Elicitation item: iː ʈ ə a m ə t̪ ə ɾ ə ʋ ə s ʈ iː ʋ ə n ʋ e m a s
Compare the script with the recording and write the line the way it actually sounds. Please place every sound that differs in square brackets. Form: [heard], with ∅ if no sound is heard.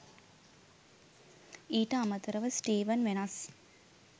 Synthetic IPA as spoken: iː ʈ ə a m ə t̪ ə ɾ ə ʋ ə s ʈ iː ʋ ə n ʋ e [n] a s